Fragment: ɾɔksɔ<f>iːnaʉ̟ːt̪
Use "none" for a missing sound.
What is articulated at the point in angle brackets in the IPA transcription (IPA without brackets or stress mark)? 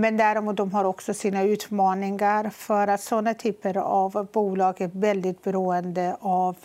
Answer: s